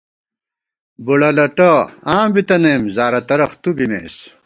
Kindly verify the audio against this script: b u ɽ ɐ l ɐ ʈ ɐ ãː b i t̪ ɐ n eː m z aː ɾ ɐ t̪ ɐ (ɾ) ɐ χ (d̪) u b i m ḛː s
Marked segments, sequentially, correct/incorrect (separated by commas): correct, incorrect